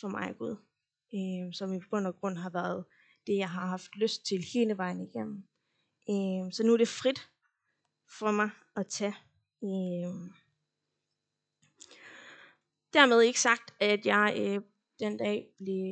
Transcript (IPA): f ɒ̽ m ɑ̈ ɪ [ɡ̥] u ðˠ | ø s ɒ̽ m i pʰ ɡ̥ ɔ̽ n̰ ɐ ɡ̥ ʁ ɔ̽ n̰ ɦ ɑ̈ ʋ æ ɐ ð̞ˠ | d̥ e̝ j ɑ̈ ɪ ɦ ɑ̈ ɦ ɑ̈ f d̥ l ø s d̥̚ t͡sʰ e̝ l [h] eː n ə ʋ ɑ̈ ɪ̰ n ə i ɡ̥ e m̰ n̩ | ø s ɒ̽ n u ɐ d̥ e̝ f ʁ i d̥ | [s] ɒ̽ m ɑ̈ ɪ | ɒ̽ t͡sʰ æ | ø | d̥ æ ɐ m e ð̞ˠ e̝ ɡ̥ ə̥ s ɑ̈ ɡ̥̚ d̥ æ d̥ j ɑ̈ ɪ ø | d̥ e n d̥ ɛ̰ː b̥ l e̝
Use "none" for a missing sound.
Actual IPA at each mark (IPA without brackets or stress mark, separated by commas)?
ɡ̥, h, f